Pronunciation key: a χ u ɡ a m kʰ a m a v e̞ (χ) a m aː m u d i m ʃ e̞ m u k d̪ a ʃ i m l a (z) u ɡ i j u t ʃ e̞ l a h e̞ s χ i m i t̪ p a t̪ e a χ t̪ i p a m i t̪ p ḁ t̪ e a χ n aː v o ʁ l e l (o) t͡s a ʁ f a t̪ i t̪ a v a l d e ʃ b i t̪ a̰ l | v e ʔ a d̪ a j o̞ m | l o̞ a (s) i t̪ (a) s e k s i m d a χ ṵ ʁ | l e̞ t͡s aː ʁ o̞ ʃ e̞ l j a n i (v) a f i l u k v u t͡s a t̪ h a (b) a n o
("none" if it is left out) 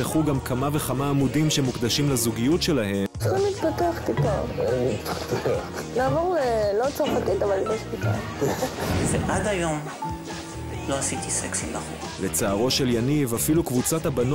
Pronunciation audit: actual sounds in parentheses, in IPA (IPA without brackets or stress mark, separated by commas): χ, z, o, s, i, v, b